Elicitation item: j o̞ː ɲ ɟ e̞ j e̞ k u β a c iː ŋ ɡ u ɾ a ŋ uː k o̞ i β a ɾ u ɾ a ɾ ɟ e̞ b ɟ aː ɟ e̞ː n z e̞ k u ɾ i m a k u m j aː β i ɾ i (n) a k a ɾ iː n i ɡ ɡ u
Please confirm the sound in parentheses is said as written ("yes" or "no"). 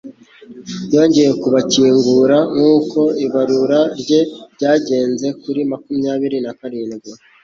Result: yes